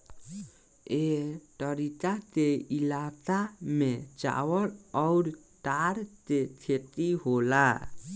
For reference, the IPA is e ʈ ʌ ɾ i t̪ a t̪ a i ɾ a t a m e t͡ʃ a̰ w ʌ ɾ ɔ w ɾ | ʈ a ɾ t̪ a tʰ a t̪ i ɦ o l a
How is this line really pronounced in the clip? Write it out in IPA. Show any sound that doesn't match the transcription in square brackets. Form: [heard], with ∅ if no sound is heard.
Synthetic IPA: e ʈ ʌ ɾ i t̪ a t̪ [e] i [l] a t a m e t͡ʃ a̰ w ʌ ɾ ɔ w ɾ | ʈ a ɾ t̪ [e] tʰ [e] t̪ i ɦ o l a